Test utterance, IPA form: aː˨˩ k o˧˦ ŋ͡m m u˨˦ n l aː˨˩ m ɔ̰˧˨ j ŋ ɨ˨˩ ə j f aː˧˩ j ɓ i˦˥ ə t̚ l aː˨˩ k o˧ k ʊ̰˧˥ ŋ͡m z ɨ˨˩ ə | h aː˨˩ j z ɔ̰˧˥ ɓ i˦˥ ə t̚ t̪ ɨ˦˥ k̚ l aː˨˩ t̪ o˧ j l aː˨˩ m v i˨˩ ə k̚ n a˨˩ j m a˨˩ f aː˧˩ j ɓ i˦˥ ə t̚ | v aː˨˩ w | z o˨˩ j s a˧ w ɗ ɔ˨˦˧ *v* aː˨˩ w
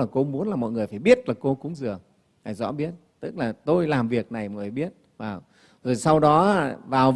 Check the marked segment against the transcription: correct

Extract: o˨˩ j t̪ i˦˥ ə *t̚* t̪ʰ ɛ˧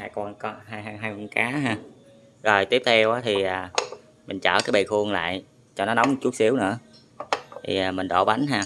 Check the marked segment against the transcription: incorrect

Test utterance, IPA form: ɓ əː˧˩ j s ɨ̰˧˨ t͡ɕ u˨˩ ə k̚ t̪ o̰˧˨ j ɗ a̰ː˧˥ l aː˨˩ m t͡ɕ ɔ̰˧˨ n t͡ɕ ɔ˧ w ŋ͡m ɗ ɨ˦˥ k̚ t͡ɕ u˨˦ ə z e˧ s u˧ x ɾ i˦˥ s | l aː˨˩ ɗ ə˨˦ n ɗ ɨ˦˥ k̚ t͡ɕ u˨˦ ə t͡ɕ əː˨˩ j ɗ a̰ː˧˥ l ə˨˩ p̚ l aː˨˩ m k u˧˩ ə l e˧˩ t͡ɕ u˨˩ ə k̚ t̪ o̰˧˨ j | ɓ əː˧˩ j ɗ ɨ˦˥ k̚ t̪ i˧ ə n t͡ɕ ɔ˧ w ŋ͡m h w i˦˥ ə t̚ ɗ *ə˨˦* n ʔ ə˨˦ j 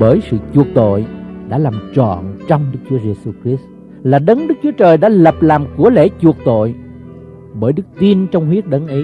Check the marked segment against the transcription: correct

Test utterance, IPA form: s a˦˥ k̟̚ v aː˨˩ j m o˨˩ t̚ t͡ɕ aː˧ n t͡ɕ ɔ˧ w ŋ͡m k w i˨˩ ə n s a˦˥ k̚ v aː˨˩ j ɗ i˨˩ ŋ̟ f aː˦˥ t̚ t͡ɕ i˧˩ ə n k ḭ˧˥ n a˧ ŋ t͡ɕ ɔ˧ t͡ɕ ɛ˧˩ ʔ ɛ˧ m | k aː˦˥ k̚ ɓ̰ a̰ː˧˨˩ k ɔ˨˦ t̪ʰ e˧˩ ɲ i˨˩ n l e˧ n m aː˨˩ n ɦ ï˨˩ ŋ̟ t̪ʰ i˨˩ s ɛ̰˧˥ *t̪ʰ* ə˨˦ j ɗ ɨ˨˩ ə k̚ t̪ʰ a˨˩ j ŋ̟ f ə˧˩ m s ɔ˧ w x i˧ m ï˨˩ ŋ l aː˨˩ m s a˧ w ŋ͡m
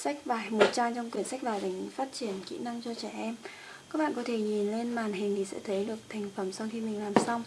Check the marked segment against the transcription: correct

